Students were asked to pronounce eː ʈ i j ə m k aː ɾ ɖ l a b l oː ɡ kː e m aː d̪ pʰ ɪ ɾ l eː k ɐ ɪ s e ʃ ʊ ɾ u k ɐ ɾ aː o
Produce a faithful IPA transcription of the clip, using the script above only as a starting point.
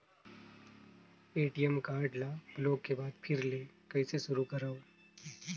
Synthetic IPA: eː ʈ i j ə m k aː ɾ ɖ l a b l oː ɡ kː e b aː d̪ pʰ ɪ ɾ l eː k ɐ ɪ s e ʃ ʊ ɾ u k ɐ ɾ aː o

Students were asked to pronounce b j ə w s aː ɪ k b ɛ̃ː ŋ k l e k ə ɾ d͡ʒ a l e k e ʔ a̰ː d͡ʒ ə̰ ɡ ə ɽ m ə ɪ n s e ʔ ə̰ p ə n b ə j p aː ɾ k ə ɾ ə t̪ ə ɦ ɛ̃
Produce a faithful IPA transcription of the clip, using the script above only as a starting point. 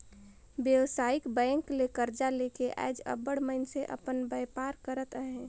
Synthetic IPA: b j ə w s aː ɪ k b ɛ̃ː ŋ k l e k ə ɾ d͡ʒ a l e k e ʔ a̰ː d͡ʒ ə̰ b ə ɽ m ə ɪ n s e ʔ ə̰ p ə n b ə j p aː ɾ k ə ɾ ə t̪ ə ɦ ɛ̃

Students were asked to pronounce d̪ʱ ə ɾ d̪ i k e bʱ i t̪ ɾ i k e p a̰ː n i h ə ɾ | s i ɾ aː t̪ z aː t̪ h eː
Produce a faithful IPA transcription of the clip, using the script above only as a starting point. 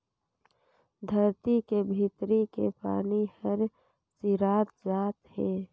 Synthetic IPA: d̪ʱ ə ɾ t̪ i k e bʱ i t̪ ɾ i k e p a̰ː n i h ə ɾ | s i ɾ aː t̪ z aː t̪ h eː

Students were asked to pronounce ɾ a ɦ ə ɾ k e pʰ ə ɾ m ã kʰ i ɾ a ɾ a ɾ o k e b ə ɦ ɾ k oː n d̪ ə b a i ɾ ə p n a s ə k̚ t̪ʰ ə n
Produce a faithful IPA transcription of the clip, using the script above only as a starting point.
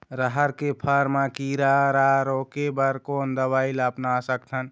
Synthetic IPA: ɾ ə ɦ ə ɾ k e pʰ ə ɾ m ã k i ɾ a ɾ a ɾ o k e b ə ɾ k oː n d̪ ə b a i l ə p n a s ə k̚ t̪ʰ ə n

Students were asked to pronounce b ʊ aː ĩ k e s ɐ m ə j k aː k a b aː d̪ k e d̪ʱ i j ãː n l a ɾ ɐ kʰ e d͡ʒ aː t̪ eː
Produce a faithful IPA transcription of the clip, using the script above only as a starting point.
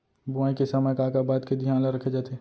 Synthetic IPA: b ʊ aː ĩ k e s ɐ m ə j k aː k a b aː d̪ k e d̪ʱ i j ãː n l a ɾ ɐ kʰ e d͡ʒ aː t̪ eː

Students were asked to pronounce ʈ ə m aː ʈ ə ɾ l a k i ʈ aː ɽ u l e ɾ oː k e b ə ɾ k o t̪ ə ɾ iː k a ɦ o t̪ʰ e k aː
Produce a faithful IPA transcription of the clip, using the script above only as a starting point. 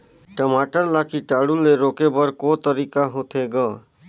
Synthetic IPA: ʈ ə m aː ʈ ə ɾ l a k i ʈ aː ɽ u l e ɾ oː k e b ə ɾ k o t̪ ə ɾ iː k a ɦ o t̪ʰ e ɡ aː

